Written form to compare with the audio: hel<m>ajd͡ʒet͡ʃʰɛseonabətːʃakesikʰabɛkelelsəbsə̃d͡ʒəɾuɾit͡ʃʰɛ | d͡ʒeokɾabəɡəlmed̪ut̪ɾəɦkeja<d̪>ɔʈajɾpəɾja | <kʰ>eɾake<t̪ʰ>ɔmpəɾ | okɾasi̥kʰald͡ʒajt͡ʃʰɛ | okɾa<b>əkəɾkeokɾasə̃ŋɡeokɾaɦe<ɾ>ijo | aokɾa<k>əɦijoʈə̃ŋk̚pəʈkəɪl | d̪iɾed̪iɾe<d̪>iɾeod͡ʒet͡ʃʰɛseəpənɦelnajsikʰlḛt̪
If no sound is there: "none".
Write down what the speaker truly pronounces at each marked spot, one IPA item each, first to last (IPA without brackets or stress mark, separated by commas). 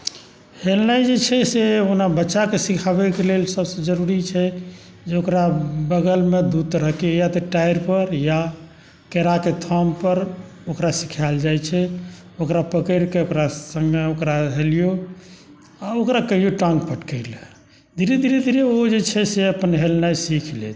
n, t̪, k, t̪ʰ, p, l, k, d̪